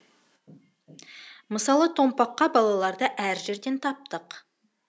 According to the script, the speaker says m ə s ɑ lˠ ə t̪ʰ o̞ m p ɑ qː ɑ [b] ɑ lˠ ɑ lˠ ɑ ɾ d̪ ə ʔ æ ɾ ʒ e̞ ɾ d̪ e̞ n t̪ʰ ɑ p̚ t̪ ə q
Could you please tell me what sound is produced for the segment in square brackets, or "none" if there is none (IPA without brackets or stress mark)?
b